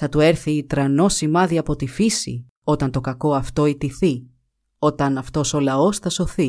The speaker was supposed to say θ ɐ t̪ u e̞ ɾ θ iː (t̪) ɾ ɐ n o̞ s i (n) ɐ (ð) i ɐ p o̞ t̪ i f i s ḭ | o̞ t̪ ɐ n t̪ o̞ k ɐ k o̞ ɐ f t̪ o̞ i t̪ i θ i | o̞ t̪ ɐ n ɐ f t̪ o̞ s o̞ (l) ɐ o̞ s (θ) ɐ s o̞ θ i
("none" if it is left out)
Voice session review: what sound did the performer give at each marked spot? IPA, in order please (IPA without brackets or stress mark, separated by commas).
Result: t̪, m, ð, l, θ